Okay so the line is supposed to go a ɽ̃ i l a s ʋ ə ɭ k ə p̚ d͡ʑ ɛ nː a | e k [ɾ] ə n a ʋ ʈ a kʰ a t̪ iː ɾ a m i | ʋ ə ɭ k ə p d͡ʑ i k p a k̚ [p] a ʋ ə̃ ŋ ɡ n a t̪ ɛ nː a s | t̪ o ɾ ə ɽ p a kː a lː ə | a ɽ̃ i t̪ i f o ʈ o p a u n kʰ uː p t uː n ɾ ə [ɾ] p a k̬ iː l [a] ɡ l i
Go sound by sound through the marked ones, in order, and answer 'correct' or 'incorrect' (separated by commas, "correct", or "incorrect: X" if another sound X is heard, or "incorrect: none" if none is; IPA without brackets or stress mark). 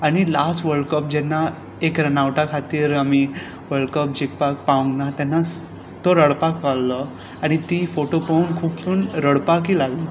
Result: correct, correct, incorrect: ɽ, correct